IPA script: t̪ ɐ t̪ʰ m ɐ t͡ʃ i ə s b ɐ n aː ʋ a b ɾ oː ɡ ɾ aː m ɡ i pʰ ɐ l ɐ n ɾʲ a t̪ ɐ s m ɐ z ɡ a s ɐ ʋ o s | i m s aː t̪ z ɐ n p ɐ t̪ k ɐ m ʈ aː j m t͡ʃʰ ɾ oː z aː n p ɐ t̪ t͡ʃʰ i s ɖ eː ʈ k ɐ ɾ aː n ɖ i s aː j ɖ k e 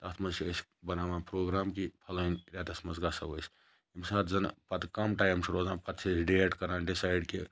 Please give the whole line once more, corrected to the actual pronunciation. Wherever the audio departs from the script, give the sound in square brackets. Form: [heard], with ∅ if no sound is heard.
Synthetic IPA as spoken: t̪ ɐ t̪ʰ m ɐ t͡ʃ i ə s b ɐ n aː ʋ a [p] ɾ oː ɡ ɾ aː m [k] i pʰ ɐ l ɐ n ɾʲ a t̪ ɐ s m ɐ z ɡ a s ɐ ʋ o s | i m s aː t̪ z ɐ n p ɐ t̪ k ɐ m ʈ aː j m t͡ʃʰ ɾ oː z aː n p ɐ t̪ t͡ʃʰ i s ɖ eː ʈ k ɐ ɾ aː n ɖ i s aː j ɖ k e